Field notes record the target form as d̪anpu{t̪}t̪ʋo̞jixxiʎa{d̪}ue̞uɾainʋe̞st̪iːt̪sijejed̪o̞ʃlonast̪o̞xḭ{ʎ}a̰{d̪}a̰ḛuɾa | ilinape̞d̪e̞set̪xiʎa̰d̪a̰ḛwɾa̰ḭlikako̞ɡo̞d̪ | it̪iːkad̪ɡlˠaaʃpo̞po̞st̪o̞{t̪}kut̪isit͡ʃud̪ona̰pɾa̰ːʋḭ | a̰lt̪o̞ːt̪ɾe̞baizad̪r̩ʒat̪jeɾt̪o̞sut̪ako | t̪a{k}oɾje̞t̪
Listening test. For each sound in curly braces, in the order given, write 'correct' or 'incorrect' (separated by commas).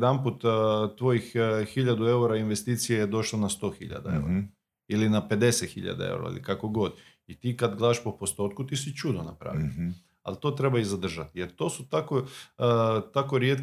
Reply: correct, correct, correct, correct, correct, correct